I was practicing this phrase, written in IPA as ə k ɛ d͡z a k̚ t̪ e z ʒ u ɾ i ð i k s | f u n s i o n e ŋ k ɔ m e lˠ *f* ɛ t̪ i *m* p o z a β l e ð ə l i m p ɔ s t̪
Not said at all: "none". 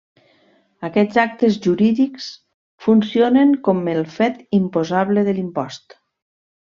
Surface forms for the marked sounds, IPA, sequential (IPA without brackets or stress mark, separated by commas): f, m